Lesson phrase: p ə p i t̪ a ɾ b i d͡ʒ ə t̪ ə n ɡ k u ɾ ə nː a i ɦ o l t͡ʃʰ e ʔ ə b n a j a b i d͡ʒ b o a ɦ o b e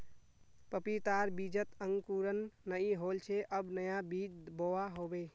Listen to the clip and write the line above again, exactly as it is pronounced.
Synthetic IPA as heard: p ə p i t̪ a ɾ b i d͡ʒ ə t̪ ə ŋ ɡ k u ɾ ə nː ə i ɦ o l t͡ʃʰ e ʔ ə b n ə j a b i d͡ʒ b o a ɦ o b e